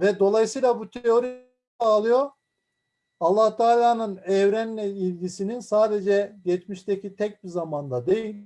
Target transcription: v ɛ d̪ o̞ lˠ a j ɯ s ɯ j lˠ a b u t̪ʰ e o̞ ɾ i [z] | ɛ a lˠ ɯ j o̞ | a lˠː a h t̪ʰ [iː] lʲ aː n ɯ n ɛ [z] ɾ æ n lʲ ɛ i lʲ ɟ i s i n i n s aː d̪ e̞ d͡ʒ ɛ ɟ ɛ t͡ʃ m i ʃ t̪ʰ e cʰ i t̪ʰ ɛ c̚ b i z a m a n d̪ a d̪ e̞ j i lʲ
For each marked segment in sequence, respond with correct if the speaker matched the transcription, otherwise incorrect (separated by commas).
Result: incorrect, incorrect, incorrect